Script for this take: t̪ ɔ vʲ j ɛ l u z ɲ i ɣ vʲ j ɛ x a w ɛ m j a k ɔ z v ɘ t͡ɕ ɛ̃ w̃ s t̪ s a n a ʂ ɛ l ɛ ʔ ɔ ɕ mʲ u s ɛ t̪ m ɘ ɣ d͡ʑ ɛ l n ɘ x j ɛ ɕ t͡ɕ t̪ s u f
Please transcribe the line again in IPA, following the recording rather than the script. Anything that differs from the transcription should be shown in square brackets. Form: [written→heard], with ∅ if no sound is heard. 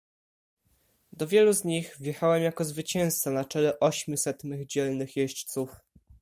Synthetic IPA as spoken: [t̪→d̪] ɔ vʲ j ɛ l u z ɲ i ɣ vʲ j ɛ x a w ɛ m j a k ɔ z v ɘ t͡ɕ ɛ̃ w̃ s t̪ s a n a [ʂ→t͡ʂ] ɛ l ɛ ʔ ɔ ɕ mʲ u s ɛ t̪ m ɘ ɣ d͡ʑ ɛ l n ɘ x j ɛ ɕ t͡ɕ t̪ s u f